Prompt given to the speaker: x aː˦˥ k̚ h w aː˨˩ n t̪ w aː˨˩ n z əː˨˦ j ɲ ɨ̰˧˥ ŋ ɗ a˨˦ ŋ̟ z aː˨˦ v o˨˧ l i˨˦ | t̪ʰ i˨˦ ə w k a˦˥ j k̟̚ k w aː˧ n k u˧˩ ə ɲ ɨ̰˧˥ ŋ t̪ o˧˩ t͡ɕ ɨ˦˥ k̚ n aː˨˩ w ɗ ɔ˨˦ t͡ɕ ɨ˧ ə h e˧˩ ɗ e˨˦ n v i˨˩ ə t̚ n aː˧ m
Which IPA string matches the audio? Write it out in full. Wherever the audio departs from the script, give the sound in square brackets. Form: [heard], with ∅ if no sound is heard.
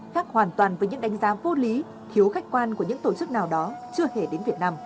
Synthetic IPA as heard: x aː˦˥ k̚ h w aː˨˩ n t̪ w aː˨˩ n [v] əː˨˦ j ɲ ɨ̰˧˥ ŋ ɗ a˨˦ ŋ̟ z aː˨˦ v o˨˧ l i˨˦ | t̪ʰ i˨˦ ə w [x] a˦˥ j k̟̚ k w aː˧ n k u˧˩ ə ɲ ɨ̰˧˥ ŋ t̪ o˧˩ t͡ɕ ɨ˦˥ k̚ n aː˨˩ w ɗ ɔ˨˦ t͡ɕ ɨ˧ ə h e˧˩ ɗ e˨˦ n v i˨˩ ə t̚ n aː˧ m